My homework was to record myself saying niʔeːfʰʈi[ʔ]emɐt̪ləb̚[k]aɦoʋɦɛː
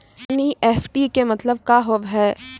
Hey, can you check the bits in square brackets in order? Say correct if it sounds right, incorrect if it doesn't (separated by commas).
incorrect, correct